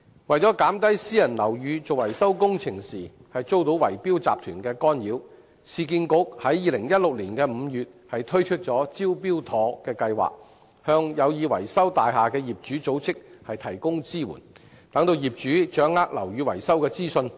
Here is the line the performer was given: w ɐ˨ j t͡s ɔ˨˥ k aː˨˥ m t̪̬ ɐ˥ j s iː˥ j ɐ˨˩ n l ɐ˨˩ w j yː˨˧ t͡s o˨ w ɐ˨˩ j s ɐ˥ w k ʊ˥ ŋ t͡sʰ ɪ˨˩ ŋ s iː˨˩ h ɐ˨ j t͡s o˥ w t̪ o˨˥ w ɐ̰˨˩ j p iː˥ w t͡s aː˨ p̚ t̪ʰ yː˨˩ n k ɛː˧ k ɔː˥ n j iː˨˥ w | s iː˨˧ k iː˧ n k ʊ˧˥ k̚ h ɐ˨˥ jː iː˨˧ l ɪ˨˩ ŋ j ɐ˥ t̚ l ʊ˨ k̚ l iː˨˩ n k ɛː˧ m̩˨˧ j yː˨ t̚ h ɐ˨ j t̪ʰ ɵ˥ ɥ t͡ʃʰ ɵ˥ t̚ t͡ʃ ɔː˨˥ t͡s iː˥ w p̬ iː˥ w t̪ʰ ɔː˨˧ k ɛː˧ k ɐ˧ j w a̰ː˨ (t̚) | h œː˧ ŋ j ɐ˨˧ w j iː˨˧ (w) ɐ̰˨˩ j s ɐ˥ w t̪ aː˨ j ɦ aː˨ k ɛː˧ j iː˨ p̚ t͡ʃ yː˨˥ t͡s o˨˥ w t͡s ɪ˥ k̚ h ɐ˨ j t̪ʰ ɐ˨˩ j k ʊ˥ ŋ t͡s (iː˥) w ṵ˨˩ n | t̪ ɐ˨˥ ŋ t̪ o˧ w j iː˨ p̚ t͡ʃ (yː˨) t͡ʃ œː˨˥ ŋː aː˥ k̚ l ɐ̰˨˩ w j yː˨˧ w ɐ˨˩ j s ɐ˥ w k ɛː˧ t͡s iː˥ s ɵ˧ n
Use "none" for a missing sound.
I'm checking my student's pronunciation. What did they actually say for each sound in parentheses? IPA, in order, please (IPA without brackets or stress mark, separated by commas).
k̚, w, iː˥, yː˨˥